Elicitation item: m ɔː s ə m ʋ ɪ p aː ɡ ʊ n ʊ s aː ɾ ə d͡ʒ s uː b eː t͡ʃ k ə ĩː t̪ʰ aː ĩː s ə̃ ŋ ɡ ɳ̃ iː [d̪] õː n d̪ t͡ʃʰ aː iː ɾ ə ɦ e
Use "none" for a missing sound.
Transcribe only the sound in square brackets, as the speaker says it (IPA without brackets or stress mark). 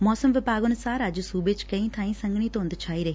t̪